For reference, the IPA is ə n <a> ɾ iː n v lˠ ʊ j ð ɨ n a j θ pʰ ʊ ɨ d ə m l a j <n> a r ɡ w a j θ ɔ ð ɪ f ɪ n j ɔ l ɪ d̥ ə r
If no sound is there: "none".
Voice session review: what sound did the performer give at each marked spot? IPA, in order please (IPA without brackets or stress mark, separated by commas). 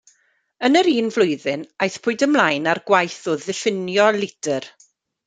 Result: ə, n